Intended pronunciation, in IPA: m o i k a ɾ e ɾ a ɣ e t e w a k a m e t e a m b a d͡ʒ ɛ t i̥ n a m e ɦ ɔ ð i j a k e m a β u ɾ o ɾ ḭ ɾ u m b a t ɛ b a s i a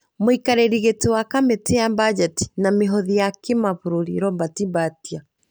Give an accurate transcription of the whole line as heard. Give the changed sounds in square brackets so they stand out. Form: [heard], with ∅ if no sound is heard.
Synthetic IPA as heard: m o i k a ɾ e ɾ [i] ɣ e t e w a k a m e t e a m b a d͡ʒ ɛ t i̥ n a m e ɦ ɔ ð i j a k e m a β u ɾ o ɾ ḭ ɾ [ɔ] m b a t [i] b a [t] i a